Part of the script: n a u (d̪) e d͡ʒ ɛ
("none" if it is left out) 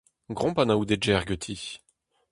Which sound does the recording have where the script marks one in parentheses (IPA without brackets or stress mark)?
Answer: d̪